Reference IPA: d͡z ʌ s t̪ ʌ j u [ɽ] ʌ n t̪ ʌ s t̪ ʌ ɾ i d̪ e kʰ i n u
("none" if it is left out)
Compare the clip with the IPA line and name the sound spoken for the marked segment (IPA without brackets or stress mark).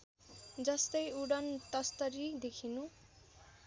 ɽ